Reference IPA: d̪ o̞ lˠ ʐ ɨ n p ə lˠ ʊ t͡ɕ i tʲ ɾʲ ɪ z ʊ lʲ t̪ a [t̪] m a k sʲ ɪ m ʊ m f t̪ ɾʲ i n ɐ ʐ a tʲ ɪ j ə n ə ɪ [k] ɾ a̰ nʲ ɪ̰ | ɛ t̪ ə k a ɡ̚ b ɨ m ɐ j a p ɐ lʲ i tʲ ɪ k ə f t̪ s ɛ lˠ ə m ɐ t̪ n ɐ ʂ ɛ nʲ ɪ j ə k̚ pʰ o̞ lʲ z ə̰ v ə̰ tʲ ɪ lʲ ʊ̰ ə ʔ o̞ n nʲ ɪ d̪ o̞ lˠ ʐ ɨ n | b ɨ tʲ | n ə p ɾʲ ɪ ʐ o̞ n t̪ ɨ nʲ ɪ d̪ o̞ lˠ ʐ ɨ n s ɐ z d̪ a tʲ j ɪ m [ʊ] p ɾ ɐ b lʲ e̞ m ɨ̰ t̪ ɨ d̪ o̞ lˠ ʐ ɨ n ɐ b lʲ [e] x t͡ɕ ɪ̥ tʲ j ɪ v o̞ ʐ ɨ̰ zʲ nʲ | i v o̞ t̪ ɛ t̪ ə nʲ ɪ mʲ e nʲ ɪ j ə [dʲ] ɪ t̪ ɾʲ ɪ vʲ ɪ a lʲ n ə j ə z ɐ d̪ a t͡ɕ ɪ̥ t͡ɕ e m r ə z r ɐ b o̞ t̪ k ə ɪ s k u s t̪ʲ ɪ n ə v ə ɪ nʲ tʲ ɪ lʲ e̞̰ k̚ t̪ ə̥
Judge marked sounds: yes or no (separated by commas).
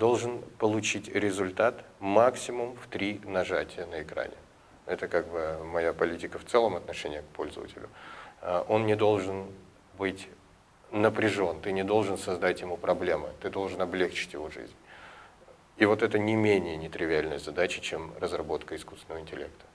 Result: yes, yes, no, yes, no